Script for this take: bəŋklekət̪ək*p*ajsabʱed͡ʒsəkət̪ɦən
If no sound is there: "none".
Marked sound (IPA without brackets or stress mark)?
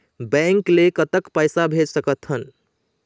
p